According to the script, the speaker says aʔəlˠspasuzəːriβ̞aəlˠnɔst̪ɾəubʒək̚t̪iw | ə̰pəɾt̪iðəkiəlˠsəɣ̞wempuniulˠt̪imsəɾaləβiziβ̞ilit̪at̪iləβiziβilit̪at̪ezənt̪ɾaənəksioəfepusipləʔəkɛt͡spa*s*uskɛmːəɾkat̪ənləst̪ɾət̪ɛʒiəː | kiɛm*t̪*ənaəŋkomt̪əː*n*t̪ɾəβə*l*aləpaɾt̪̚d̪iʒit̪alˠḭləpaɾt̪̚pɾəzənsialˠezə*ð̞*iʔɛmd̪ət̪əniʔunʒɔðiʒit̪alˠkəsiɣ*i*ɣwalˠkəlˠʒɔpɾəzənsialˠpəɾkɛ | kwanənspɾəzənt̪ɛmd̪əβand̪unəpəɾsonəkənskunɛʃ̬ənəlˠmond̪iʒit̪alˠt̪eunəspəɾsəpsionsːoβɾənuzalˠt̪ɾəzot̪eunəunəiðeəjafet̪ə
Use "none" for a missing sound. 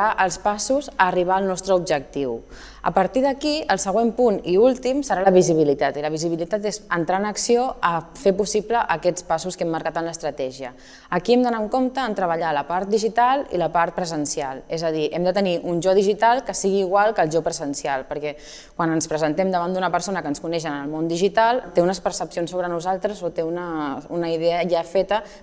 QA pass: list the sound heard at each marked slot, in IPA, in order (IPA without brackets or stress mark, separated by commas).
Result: s, d̪, n, ʎ, ð̞, iː